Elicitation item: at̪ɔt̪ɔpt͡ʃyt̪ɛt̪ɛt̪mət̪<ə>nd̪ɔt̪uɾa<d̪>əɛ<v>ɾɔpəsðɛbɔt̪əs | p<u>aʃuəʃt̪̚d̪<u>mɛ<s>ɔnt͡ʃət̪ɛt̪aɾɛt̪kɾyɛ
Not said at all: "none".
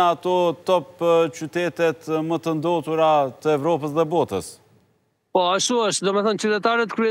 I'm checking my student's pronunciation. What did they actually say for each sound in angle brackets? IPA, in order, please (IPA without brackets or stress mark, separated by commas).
ə, t̪, v, ɔ, ɔ, θ